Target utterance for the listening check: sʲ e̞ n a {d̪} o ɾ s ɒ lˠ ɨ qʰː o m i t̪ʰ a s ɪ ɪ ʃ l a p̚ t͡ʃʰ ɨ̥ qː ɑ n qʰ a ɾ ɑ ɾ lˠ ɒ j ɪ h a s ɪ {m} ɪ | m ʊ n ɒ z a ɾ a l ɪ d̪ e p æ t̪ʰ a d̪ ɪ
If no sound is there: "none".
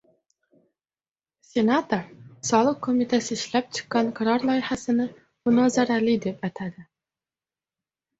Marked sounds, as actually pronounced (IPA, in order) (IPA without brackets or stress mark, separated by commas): t̪, n